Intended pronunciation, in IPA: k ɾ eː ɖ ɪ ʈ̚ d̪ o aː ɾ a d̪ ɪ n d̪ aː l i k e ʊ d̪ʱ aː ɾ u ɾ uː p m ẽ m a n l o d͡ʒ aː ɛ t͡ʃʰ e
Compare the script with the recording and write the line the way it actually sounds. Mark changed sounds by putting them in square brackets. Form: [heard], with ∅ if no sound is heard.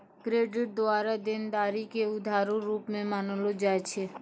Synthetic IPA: k ɾ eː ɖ ɪ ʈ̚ d̪ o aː ɾ a d̪ ɪ n d̪ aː [ɾ] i k e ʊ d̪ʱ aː ɾ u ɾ uː p m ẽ m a n l o d͡ʒ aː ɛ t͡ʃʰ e